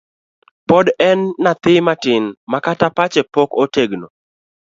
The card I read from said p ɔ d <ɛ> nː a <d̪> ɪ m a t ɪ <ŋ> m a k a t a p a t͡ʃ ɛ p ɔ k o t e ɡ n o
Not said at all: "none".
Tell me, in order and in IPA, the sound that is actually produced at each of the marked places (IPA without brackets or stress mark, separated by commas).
ɛ, t̪, n